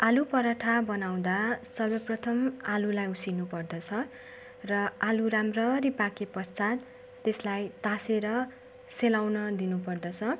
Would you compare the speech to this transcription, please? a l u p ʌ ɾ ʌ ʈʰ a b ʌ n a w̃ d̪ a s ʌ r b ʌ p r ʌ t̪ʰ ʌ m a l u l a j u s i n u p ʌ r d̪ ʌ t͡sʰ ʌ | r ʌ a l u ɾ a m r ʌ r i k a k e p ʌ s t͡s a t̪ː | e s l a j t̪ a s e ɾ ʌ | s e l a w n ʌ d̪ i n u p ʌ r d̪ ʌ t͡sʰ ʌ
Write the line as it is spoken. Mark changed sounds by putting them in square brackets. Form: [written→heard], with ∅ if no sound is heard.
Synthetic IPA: a l u p ʌ ɾ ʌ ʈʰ a b ʌ n a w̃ d̪ a s ʌ r b ʌ p r ʌ t̪ʰ ʌ m a l u l a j u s i n u p ʌ r d̪ ʌ t͡sʰ ʌ | r ʌ a l u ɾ a m r ʌ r i [k→p] a k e p ʌ s t͡s a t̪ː | e s l a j t̪ a s e ɾ ʌ | s e l a w n ʌ d̪ i n u p ʌ r d̪ ʌ t͡sʰ ʌ